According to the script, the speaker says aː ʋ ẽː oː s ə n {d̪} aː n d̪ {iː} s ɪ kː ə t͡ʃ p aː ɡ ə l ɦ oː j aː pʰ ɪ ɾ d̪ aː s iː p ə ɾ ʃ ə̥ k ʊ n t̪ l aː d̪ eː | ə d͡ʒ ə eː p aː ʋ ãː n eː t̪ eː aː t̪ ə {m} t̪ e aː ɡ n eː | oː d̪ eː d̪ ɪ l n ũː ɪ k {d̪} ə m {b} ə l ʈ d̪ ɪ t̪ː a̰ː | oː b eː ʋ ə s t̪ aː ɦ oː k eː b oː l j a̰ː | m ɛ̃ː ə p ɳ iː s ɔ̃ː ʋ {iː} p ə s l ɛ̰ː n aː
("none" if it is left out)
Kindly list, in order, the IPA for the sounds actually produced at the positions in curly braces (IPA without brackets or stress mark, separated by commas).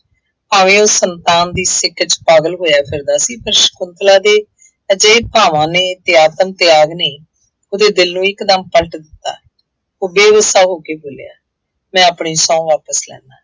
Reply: t̪, iː, m, d̪, p, aː